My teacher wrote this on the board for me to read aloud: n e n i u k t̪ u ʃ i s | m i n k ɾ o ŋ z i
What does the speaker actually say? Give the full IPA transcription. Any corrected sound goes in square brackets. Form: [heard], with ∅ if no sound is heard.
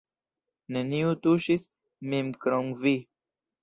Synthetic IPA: n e n i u [∅] t̪ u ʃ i s | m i [m] k ɾ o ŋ [v] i

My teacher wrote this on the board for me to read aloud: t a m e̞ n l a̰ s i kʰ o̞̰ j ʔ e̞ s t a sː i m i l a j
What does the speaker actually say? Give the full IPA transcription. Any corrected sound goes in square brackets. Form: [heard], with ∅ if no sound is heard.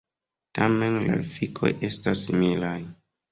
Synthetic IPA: t a m e̞ n l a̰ [f] i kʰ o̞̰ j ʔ e̞ s t a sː i m i l a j

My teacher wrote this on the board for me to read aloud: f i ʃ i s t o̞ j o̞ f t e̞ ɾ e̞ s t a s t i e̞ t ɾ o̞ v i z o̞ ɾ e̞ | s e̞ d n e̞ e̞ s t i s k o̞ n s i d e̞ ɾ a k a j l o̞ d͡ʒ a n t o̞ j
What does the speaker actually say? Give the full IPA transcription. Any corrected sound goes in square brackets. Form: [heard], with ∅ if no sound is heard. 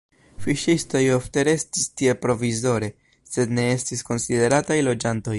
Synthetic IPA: f i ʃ i s t o̞ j o̞ f t e̞ ɾ e̞ s t [i] s t i e̞ [p] ɾ o̞ v i z o̞ ɾ e̞ | s e̞ d n e̞ e̞ s t i s k o̞ n s i d e̞ ɾ a [t] a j l o̞ d͡ʒ a n t o̞ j

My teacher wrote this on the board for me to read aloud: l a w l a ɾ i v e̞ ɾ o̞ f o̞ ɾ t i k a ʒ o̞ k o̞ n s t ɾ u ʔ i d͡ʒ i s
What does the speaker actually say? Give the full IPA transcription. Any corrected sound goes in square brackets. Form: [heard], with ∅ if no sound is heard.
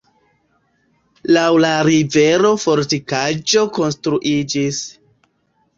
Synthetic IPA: l a w l a ɾ i v e̞ ɾ o̞ f o̞ ɾ t i k a [d͡ʒ] o̞ k o̞ n s t ɾ u ʔ i d͡ʒ i s

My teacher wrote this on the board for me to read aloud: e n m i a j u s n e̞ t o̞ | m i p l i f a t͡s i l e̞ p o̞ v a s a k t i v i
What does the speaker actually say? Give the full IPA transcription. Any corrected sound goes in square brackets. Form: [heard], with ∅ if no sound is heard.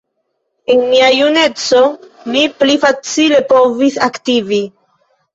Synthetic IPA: e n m i a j u [∅] n e̞ [t͡s] o̞ | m i p l i f a t͡s i l e̞ p o̞ v [i] s a k t i v i

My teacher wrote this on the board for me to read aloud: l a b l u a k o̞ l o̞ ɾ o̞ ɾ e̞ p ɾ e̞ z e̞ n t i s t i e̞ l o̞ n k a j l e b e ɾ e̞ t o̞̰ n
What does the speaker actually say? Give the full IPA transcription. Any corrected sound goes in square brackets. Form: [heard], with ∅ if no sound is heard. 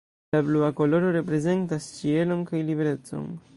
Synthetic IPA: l a b l u a k o̞ l o̞ ɾ o̞ ɾ e̞ p ɾ e̞ z e̞ n t [a] s [t͡ʃ] i e̞ l o̞ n k a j l [i] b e ɾ e̞ [t͡s] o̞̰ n

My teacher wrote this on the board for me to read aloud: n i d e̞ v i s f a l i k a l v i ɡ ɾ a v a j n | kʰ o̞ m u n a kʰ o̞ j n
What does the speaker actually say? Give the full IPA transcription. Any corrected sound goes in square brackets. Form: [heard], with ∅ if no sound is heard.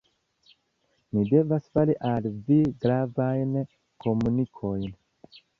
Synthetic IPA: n i d e̞ v [a] s f a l i [ʔ] a l v i ɡ ɾ a v a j n | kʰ o̞ m u n [i] kʰ o̞ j n

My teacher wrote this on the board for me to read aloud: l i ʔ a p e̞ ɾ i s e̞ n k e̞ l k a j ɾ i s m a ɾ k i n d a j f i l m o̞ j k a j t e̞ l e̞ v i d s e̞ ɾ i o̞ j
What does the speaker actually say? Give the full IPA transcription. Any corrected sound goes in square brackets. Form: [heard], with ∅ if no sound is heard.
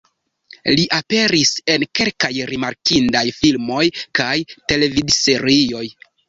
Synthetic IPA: l i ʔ a p e̞ ɾ i s e̞ n k e̞ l k a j ɾ i [∅] m a ɾ k i n d a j f i l m o̞ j k a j t e̞ l e̞ v i d s e̞ ɾ i o̞ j

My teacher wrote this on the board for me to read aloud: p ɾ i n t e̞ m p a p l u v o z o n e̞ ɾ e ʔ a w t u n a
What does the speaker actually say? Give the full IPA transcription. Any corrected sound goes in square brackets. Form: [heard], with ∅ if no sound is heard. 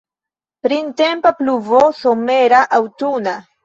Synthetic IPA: p ɾ i n t e̞ m p a p l u v o [s] o [m] e̞ ɾ [a] ʔ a w t u n a

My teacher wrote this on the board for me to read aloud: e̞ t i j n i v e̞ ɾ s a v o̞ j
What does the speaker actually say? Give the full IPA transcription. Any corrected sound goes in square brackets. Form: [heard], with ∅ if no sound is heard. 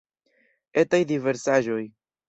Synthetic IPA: e̞ t [a] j [d] i v e̞ ɾ s a [ʒ] o̞ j

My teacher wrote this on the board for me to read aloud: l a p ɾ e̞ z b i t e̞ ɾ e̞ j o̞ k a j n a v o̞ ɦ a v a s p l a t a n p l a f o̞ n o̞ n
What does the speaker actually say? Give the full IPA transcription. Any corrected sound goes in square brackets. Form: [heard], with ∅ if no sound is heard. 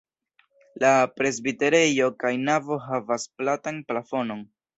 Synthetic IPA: l a p ɾ e̞ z b i t e̞ ɾ e̞ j o̞ k a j n a v o̞ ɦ a v a s p l a t a n p l a f o̞ n o̞ n

